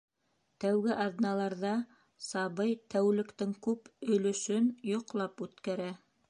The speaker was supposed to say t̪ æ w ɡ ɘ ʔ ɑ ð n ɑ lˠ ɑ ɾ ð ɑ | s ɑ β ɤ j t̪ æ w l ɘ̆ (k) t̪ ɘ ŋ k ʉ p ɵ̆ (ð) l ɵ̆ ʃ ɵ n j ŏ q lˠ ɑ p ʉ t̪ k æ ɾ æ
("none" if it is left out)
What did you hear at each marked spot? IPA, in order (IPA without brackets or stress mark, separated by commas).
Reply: k, none